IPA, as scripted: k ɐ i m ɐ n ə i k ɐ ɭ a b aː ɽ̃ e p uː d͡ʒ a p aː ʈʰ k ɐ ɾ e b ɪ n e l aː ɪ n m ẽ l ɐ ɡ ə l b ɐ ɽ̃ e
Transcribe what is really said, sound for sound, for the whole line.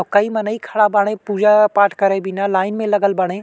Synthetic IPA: k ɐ i m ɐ n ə i kʰ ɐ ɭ a b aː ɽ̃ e p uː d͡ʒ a p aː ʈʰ k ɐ ɾ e b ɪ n a l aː ɪ n m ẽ l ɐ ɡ ə l b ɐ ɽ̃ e